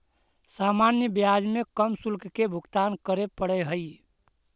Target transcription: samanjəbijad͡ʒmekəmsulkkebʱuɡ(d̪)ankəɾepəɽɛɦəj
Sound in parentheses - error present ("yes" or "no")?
yes